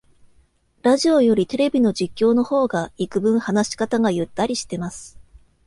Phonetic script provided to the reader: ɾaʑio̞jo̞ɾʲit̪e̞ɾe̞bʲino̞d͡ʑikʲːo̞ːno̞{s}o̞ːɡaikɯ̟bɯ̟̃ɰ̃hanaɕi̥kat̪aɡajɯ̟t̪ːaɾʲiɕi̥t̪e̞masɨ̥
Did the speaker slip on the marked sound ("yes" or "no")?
yes